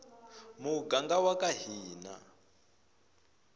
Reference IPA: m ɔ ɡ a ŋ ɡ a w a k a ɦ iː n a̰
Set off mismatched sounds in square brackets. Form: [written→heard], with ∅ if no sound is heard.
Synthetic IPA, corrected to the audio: m [ɔ→u] ɡ a ŋ ɡ a w a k a ɦ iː n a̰